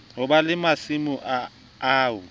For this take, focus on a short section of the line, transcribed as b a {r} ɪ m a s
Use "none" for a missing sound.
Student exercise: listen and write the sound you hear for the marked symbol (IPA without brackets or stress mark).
l